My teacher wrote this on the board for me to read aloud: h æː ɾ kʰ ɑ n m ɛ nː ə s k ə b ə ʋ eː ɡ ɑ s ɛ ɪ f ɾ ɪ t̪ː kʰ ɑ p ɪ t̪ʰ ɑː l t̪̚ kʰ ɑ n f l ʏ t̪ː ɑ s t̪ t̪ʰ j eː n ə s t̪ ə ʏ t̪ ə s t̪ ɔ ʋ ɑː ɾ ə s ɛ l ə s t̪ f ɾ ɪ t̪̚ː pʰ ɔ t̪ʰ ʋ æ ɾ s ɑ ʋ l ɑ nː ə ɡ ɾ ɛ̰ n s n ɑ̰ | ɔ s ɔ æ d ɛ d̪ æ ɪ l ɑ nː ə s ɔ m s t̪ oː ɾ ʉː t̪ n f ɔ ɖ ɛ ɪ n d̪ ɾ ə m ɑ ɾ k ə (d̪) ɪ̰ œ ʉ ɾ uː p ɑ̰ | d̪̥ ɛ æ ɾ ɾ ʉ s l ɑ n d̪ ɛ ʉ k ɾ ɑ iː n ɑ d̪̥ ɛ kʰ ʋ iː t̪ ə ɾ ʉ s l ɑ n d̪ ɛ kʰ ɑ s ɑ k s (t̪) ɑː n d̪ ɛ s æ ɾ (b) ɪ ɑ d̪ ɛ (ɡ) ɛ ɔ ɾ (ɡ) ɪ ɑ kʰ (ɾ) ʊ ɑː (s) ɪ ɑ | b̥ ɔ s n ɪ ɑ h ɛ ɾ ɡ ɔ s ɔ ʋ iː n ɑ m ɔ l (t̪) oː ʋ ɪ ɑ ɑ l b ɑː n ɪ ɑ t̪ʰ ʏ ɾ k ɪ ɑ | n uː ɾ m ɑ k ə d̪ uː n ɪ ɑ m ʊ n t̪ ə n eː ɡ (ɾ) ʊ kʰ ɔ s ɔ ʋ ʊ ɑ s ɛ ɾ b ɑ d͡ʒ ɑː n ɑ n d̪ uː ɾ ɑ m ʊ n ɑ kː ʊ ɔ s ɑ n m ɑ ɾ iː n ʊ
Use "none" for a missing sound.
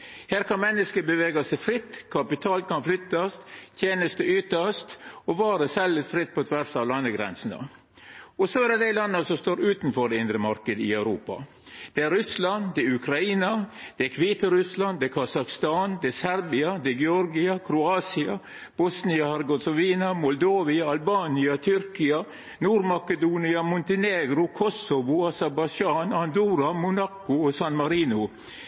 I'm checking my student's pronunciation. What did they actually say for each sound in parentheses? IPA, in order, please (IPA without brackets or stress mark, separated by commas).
d̪, t̪, b, ɡ, ɡ, ɾ, s, d̪, ɾ